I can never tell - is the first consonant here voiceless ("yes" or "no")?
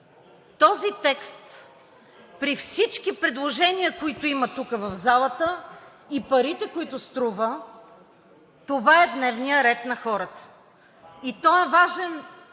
yes